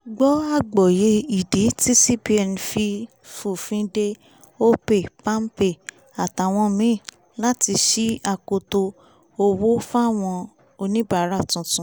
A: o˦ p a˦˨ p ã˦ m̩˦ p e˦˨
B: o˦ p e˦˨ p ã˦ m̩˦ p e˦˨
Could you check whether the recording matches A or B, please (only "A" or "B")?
B